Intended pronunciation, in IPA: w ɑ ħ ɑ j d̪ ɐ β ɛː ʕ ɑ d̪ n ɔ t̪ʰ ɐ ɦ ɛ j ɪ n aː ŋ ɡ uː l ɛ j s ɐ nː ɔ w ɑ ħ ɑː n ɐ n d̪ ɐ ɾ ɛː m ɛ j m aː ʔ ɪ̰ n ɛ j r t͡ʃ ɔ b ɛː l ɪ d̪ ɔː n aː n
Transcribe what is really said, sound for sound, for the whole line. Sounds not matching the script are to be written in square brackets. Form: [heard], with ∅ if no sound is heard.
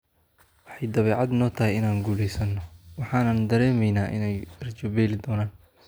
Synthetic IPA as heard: w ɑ ħ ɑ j d̪ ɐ β ɛː ʕ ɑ d̪ n [ɔː] t̪ʰ ɐ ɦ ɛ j ɪ n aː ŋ ɡ uː l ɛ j s ɐ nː ɔ w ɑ ħ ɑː n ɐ n d̪ ɐ ɾ ɛː m ɛ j [n] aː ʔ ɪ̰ n ɛ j r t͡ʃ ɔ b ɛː l ɪ d̪ ɔː n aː n